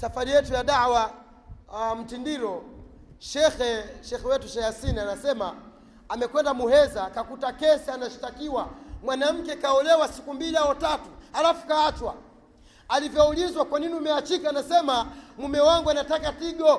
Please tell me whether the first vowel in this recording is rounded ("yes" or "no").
no